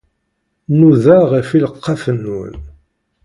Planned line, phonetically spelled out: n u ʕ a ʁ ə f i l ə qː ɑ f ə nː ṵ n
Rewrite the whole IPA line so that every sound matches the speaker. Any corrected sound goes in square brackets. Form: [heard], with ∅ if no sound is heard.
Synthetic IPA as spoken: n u [ð] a ʁ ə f i l ə qː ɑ f ə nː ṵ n